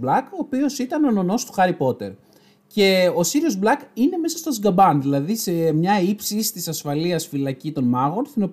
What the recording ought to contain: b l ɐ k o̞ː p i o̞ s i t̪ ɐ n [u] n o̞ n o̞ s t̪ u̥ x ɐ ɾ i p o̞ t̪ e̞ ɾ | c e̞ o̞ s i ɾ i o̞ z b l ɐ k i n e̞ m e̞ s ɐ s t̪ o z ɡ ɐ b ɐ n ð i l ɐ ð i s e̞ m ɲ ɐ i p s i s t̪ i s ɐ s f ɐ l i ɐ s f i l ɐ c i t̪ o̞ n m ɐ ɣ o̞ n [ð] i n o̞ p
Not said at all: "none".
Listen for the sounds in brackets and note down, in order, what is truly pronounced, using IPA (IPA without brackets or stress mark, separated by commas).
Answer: o, θ